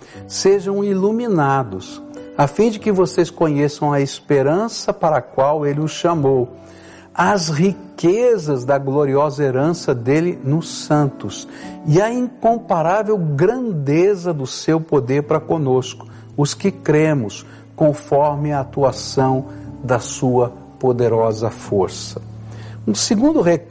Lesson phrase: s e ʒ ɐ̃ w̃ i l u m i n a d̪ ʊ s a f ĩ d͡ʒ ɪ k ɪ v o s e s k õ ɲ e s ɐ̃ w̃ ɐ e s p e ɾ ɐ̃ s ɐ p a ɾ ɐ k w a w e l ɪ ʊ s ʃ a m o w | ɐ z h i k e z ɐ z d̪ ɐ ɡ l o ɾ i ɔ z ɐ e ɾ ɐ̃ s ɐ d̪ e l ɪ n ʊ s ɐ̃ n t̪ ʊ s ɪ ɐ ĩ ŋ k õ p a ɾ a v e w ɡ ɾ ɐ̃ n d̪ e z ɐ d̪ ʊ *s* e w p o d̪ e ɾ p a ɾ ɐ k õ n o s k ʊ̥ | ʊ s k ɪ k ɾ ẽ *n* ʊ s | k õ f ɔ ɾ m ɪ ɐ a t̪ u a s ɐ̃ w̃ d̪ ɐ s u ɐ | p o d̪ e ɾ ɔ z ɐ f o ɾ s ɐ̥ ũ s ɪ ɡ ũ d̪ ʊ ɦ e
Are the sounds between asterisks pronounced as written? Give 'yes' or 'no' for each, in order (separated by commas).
yes, no